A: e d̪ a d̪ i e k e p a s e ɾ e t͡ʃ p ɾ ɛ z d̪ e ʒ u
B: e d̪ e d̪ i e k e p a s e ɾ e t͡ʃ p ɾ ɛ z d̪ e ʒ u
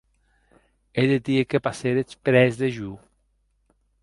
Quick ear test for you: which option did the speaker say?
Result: B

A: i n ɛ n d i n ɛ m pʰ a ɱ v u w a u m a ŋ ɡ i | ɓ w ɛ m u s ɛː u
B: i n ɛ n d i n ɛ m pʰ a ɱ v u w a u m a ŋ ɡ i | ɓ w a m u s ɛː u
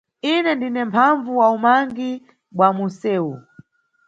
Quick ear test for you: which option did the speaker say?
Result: B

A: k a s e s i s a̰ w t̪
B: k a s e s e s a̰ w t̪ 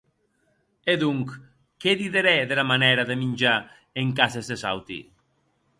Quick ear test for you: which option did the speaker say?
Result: B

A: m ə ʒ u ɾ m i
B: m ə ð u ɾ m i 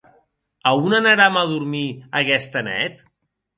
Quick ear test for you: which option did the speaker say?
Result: B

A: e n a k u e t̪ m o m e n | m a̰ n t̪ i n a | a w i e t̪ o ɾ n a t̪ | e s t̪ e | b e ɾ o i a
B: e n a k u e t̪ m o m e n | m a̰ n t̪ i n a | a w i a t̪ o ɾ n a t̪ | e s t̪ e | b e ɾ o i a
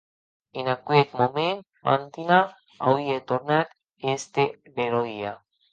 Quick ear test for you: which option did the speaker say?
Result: A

